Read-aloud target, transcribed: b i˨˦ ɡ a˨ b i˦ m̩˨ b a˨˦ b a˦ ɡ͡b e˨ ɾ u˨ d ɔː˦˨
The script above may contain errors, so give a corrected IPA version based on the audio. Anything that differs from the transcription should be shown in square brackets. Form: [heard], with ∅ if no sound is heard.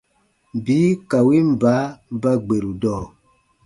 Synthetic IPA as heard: b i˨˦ [k] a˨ [w] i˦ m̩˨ b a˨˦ b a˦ ɡ͡b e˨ ɾ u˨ d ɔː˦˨